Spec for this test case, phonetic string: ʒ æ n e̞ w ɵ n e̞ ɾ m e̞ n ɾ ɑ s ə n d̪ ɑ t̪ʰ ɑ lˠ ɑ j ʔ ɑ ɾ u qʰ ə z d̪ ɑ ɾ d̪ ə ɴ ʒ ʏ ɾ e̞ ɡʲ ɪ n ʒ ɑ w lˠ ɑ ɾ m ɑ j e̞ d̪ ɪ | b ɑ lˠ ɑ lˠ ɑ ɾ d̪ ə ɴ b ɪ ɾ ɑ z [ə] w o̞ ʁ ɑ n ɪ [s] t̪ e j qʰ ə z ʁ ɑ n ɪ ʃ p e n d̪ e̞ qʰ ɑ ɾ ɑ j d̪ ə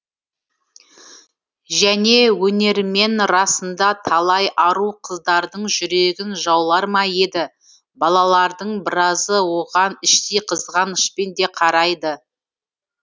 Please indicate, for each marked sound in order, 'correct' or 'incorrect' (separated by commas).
correct, incorrect